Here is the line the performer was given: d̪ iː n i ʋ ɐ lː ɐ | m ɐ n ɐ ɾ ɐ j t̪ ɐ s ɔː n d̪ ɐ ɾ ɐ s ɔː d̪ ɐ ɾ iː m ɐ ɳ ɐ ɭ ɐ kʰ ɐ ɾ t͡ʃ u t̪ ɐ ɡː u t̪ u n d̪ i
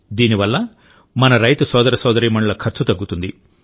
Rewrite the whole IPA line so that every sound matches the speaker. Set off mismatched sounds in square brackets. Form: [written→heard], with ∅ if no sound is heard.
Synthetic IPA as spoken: d̪ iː n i ʋ ɐ lː ɐ | m ɐ n ɐ ɾ ɐ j t̪ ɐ s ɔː [n→∅] d̪ ɐ ɾ ɐ s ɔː d̪ ɐ ɾ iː m ɐ ɳ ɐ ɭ ɐ kʰ ɐ ɾ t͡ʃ u t̪ ɐ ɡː u t̪ u n d̪ i

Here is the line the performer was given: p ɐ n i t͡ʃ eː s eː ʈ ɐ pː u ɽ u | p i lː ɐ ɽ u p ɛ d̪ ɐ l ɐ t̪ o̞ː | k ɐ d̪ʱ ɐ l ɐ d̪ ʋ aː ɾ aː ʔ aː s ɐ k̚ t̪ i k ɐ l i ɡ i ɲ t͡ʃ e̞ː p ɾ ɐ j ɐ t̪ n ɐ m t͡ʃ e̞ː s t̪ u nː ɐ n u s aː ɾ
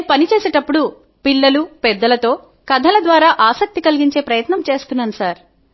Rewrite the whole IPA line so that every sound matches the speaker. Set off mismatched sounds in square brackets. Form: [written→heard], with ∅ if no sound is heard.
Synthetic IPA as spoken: p ɐ n i t͡ʃ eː s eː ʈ ɐ pː u ɽ u | p i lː ɐ [ɽ→l] u p ɛ [d̪→d̪ː] ɐ l ɐ t̪ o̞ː | k ɐ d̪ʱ ɐ l ɐ d̪ ʋ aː ɾ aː ʔ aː s ɐ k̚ t̪ i k ɐ l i ɡ i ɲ t͡ʃ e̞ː p ɾ ɐ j ɐ t̪ n ɐ m t͡ʃ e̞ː s t̪ u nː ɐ n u s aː ɾ

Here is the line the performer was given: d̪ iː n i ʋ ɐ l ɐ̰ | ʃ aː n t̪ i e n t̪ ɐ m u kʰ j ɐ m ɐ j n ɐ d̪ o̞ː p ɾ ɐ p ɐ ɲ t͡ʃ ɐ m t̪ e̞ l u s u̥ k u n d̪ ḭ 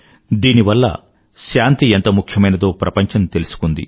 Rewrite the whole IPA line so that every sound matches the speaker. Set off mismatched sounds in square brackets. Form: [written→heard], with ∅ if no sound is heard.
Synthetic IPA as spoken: d̪ iː n i ʋ ɐ [l→lː] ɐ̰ | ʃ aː n t̪ i e n t̪ ɐ m u kʰ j ɐ m ɐ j n ɐ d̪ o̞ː p ɾ ɐ p ɐ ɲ t͡ʃ ɐ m t̪ e̞ l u s u̥ k u n d̪ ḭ

